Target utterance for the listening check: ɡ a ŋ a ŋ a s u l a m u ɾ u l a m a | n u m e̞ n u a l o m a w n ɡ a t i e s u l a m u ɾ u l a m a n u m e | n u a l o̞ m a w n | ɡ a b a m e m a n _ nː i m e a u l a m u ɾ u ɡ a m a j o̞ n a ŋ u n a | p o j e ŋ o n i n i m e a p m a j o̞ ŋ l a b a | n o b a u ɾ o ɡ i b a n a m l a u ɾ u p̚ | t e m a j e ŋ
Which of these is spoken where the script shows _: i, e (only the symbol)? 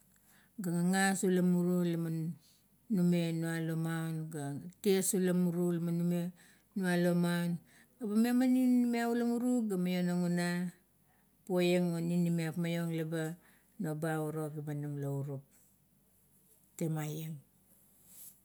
i